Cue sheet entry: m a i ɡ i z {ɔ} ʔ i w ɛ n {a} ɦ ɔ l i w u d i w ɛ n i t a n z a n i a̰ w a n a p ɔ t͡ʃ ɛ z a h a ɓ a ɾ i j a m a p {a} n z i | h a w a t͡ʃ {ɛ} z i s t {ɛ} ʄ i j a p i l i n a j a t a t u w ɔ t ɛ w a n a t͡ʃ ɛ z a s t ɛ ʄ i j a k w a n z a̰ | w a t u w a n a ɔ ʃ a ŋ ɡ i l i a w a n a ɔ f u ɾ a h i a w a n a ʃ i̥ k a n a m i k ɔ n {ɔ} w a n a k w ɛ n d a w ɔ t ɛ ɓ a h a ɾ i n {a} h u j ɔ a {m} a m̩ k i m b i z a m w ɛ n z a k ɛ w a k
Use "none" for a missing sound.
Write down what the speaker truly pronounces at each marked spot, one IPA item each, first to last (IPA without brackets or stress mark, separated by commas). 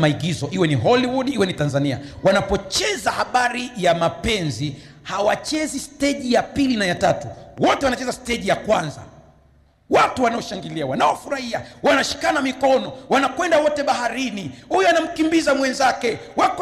ɔ, i, ɛ, ɛ, ɛ, ɔ, i, n